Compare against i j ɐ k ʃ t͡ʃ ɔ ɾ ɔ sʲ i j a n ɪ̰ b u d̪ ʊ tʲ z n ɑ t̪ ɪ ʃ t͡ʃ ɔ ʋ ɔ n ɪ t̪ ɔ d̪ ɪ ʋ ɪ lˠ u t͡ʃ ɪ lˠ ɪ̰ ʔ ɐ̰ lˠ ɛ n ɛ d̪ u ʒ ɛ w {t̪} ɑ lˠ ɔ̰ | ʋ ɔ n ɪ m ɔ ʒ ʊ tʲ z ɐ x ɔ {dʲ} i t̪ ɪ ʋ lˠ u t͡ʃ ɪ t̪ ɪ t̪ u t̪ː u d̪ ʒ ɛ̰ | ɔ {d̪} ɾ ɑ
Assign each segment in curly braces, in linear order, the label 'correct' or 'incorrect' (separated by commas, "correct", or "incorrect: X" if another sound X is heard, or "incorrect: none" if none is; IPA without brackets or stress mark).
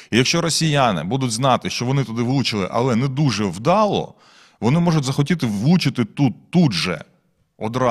incorrect: d̪, incorrect: tʲ, correct